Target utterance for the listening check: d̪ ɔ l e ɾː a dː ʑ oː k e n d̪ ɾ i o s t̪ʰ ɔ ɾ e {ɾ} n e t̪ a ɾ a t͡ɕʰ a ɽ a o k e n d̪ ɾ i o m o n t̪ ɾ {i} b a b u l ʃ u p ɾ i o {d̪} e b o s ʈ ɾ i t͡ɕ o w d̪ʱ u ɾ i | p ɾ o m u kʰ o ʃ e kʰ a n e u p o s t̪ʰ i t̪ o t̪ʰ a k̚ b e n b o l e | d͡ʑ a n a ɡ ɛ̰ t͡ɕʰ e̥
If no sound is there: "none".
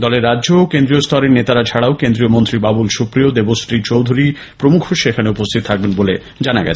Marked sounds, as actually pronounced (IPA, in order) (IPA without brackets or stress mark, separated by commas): ɾ, i, d̪